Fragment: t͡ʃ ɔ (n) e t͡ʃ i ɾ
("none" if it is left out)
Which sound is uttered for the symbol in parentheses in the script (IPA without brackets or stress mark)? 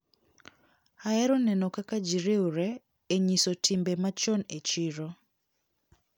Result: n